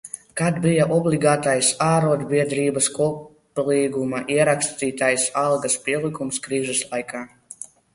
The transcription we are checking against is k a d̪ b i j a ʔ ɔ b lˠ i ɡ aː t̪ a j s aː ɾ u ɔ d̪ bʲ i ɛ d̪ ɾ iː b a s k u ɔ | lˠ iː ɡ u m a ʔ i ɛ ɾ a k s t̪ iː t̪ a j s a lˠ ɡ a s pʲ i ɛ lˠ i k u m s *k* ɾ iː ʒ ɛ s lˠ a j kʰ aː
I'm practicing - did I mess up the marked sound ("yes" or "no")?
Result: no